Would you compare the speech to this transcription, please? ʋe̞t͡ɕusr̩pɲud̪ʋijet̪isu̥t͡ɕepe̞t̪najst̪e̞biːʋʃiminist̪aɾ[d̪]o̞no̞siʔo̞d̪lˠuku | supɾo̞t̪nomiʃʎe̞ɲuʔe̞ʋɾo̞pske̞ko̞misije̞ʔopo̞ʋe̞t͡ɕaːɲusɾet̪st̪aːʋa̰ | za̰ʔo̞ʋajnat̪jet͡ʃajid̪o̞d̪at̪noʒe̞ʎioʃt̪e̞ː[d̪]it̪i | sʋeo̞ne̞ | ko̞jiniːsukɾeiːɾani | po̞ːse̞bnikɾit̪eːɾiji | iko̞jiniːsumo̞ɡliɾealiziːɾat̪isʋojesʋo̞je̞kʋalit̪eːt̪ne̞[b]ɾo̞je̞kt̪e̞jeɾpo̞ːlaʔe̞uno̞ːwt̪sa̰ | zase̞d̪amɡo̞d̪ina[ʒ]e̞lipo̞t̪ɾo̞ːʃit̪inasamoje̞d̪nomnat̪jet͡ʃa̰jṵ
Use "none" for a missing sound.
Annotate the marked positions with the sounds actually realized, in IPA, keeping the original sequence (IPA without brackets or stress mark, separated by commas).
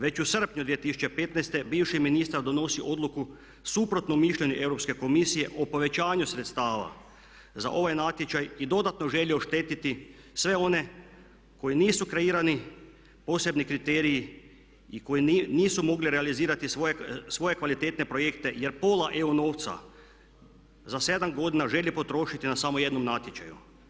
d̪, t̪, p, ʒ